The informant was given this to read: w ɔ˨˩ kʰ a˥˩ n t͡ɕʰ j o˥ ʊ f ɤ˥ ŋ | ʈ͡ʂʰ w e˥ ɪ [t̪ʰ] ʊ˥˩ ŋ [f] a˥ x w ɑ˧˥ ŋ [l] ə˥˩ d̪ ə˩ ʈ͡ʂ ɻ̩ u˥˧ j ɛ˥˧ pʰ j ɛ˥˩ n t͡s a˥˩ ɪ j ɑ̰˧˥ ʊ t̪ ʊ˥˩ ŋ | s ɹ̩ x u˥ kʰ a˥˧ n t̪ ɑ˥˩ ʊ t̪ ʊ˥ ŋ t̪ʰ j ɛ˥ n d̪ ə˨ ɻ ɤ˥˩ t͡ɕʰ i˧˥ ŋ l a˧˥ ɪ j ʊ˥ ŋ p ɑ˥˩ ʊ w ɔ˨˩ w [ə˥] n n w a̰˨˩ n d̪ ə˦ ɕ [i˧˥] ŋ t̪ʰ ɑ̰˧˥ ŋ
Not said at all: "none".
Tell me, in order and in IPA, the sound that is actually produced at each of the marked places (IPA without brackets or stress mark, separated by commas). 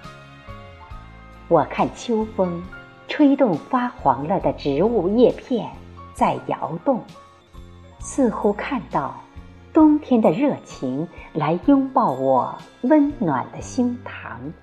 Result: t̪, f, l, ə˥, i˥